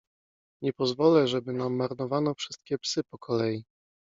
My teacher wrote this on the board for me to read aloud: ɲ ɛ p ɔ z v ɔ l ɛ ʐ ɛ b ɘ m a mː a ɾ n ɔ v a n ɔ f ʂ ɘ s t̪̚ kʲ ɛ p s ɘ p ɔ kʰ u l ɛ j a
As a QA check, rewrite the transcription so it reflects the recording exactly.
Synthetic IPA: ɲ ɛ p ɔ z v ɔ l ɛ ʐ ɛ b ɘ n a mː a ɾ n ɔ v a n ɔ f ʂ ɘ s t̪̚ kʲ ɛ p s ɘ p ɔ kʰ ɔ l ɛ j i